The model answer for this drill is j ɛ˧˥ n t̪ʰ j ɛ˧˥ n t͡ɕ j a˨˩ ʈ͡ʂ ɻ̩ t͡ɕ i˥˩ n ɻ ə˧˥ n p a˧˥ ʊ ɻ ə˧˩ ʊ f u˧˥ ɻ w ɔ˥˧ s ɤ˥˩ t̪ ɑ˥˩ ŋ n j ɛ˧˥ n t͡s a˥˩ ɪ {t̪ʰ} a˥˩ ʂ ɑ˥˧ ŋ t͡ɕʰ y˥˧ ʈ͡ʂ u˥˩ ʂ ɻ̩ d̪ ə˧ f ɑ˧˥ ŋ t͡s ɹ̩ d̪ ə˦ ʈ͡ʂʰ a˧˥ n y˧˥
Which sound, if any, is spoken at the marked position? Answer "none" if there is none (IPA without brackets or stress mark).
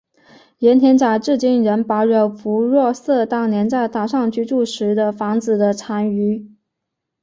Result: t̪